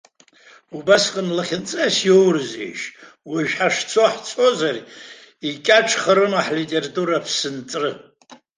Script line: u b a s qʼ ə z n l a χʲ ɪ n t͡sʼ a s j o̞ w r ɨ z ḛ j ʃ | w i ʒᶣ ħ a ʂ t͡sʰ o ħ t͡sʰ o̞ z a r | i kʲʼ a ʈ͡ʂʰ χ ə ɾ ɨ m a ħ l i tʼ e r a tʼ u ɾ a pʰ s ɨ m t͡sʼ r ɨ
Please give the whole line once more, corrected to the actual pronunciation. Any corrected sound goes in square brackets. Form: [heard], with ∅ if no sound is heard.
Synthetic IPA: u b a s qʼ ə [∅] n l a χʲ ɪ n t͡sʼ a s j o̞ w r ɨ z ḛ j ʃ | w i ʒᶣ ħ a ʂ t͡sʰ o ħ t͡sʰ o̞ z a r | i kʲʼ a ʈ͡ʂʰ χ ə ɾ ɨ m a ħ l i tʼ e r a tʼ u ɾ a pʰ s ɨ [n] t͡sʼ r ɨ